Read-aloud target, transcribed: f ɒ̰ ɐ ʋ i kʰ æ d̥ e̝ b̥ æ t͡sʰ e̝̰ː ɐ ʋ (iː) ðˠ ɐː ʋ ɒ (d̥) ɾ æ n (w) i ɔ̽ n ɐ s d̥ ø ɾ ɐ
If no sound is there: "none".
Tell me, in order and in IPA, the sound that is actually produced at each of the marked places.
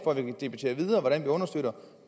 i, none, ʋ

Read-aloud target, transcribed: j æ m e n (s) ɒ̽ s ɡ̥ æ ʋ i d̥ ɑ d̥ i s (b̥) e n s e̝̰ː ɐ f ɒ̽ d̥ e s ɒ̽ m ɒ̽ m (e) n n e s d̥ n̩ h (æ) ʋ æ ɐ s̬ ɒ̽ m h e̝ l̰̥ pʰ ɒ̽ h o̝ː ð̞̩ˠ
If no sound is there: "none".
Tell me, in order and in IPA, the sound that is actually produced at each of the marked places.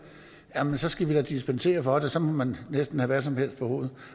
s, b̥, æ, æ

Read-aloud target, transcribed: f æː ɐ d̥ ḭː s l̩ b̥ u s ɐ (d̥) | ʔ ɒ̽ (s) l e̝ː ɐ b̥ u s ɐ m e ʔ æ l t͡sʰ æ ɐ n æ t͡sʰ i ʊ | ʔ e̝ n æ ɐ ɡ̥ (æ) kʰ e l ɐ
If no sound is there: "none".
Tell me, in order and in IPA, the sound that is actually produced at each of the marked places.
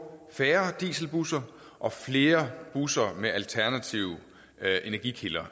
none, f, i

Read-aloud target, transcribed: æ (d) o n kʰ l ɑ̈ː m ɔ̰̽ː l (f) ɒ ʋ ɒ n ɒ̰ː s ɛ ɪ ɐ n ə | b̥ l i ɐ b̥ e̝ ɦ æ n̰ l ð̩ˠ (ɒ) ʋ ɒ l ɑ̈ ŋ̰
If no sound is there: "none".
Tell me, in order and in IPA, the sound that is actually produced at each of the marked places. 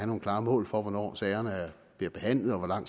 n, f, ɒ

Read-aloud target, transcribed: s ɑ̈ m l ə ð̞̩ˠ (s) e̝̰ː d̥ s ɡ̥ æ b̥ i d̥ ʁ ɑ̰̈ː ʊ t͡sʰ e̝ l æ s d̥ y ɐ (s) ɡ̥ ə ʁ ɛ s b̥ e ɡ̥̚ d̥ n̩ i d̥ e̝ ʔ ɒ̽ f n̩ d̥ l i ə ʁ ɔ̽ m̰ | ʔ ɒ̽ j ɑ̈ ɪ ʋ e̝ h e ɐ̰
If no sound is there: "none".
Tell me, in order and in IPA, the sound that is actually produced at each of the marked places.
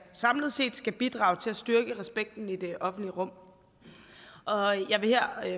s, none

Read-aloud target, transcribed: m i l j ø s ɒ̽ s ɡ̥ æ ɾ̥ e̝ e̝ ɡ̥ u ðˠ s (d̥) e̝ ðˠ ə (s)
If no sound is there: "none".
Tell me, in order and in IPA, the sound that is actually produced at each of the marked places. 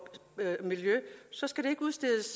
d̥, s

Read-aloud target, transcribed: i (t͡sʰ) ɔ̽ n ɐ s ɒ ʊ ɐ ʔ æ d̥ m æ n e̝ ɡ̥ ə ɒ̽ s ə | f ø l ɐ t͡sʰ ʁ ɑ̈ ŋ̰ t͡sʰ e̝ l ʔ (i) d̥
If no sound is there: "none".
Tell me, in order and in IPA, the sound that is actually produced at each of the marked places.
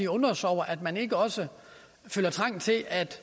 none, æ

